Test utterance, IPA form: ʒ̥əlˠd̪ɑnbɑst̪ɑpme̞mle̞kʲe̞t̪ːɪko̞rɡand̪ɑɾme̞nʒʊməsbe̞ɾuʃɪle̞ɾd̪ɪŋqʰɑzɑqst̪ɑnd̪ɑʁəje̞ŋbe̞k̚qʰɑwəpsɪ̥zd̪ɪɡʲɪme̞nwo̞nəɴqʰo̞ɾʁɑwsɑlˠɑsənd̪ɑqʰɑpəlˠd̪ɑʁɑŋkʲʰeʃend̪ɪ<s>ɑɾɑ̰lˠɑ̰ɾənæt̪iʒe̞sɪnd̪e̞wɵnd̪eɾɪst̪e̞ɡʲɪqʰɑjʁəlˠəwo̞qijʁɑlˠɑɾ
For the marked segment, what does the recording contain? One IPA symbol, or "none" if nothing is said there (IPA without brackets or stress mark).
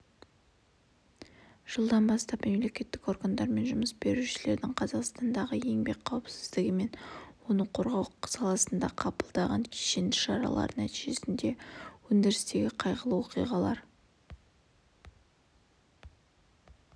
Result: ʃ